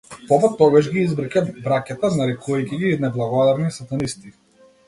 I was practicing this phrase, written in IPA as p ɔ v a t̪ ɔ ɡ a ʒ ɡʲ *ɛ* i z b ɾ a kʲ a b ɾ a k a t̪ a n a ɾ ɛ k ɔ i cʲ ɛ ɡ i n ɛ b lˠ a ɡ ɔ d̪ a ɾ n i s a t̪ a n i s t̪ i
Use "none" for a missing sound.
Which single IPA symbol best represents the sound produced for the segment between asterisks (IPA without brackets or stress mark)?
i